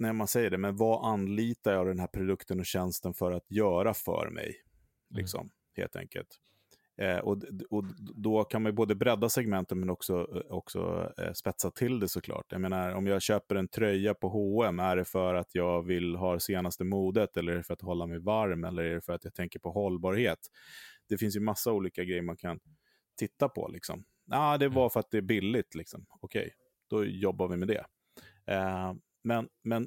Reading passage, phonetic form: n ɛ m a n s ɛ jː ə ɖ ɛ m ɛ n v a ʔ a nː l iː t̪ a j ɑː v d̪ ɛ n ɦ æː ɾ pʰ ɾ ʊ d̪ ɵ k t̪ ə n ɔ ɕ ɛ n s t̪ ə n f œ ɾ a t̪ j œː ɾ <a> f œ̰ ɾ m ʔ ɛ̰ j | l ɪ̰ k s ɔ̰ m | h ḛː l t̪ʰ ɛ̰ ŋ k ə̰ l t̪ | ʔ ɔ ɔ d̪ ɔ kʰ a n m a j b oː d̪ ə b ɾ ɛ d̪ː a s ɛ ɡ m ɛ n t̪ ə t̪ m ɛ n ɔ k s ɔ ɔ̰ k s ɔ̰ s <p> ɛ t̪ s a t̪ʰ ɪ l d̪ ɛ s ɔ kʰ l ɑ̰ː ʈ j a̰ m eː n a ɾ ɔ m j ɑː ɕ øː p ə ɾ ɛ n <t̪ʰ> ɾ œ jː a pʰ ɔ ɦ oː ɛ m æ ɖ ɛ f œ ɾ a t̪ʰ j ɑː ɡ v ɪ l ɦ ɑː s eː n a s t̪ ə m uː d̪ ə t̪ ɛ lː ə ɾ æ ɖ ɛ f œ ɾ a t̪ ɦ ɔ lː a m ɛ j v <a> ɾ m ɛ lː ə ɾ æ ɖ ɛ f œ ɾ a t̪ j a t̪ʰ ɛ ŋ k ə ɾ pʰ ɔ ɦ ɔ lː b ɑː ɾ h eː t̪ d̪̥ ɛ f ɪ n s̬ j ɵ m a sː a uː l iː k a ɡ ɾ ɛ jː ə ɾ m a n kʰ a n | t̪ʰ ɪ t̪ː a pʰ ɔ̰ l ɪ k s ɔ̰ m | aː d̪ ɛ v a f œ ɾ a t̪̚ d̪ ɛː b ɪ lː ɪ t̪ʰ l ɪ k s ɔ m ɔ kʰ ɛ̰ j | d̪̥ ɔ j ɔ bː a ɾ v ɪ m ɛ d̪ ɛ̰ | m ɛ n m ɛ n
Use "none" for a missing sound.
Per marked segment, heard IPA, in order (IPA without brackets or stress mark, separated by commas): a, p, t̪ʰ, a